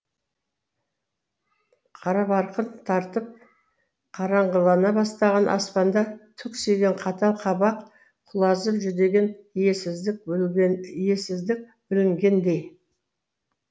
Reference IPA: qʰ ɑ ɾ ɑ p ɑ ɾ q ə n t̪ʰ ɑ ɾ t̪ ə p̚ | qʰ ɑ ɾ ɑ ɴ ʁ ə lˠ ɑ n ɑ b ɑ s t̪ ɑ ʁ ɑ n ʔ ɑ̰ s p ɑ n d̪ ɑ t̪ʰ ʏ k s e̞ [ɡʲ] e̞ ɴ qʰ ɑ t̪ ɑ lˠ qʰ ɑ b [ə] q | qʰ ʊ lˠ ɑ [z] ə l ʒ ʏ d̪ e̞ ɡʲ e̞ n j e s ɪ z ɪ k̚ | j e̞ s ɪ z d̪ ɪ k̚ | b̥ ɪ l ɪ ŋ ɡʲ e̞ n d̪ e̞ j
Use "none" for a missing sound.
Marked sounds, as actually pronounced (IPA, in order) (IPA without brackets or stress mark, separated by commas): ɡʲ, ɑ, z